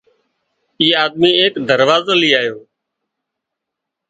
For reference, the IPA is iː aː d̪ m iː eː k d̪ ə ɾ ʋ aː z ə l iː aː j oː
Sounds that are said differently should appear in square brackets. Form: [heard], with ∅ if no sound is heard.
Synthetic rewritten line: iː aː d̪ m iː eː k d̪ ə ɾ ʋ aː z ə l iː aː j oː